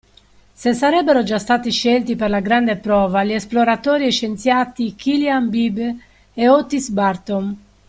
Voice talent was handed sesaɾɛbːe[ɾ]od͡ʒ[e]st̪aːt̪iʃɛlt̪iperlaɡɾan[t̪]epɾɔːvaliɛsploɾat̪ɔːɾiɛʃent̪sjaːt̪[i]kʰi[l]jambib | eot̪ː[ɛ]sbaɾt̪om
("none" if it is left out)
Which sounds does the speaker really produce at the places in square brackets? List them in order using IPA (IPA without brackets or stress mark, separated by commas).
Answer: ɾ, a, d̪, i, l, i